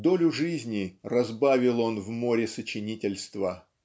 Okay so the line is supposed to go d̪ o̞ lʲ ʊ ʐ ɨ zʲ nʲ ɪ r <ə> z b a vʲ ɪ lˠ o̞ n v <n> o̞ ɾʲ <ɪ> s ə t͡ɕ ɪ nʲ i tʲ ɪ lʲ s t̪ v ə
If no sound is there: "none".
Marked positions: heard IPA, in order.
ɐ, m, ɪ

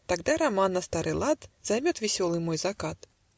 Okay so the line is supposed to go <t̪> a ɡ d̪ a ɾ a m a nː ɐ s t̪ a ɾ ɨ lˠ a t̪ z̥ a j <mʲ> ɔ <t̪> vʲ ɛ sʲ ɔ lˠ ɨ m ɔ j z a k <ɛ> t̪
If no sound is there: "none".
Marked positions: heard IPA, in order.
t̪, mʲ, t̪, a

